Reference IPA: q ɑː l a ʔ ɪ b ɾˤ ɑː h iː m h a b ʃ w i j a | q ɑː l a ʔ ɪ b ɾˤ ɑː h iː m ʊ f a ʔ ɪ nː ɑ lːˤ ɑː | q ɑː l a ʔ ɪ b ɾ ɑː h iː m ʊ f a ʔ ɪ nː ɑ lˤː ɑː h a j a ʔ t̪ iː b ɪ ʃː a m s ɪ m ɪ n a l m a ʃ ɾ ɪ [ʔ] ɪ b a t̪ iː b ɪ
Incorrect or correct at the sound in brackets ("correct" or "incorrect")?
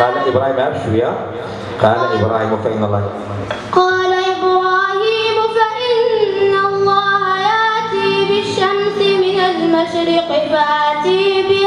incorrect